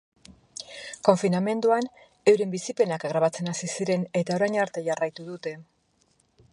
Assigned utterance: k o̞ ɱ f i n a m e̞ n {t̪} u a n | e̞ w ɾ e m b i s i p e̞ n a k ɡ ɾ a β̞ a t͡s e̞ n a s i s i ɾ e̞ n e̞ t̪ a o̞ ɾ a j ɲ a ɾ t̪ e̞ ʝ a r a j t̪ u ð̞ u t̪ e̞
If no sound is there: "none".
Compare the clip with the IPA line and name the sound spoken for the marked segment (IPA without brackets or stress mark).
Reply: d̪